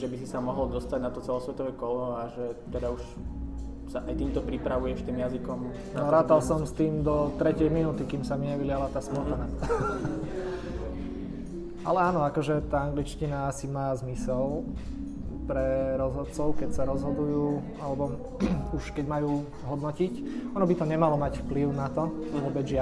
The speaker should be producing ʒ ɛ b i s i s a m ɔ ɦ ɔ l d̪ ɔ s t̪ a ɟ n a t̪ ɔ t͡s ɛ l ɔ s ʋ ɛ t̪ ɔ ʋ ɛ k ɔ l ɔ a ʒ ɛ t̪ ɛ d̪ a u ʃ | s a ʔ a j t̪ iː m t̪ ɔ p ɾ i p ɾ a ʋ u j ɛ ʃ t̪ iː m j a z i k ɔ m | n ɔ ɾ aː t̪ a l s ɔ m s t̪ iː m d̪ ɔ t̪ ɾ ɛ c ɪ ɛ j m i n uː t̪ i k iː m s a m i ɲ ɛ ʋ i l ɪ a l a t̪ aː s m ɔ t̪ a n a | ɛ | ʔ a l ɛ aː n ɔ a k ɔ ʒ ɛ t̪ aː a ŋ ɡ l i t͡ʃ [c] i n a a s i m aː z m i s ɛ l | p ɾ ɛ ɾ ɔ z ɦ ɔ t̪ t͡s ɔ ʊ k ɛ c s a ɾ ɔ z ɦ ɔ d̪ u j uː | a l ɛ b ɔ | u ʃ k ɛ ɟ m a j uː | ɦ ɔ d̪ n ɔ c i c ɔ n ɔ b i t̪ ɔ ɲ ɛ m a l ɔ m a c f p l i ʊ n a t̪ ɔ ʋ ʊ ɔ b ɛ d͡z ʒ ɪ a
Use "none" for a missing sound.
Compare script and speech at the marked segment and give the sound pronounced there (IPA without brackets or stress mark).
c